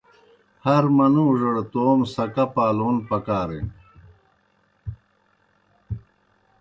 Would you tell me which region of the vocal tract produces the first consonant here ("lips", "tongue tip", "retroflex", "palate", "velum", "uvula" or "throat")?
throat